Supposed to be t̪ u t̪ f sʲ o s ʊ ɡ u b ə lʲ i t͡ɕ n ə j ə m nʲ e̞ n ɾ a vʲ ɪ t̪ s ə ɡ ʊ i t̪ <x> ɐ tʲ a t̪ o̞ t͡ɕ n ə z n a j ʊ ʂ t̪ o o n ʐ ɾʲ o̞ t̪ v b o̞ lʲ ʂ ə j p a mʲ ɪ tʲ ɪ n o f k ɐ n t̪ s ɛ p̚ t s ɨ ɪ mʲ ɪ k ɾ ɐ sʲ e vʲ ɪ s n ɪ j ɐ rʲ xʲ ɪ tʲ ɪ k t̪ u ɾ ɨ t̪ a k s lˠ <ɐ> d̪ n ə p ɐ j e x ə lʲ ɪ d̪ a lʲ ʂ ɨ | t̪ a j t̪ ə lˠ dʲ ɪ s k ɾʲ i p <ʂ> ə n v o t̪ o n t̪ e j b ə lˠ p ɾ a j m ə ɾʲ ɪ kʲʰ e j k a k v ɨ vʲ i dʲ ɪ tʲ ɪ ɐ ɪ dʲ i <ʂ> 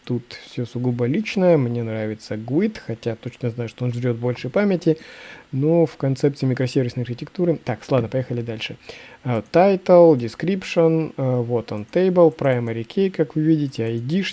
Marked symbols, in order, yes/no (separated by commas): yes, no, yes, yes